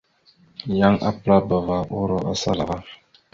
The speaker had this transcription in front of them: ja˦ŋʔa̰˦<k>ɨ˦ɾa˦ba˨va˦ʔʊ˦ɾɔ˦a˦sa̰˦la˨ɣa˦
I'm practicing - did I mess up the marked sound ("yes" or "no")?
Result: yes